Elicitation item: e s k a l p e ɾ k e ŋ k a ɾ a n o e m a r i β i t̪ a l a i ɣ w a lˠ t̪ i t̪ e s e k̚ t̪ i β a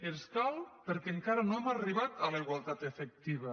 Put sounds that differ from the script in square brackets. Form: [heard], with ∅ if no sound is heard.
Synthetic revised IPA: e s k a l p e ɾ k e ŋ k a ɾ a n o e m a r i β [a] t̪ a l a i ɣ w a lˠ t̪ [a] t̪ e [f] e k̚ t̪ i β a